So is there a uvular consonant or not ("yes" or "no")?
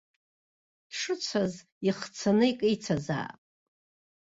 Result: yes